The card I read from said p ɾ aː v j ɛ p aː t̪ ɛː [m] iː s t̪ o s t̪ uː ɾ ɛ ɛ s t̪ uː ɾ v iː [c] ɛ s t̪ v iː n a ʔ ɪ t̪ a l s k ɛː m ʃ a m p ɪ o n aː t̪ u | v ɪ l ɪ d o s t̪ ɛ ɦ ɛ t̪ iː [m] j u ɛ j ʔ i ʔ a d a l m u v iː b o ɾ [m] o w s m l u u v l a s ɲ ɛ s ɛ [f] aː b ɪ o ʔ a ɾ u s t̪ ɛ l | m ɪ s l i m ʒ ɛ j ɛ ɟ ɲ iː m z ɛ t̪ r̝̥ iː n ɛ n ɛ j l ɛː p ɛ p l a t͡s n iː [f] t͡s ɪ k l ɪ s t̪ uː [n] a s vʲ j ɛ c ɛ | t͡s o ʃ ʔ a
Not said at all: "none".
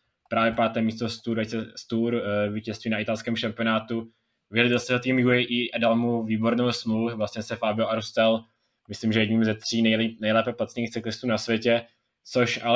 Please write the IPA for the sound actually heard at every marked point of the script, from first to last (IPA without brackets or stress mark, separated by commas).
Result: m, c, m, n, f, x, n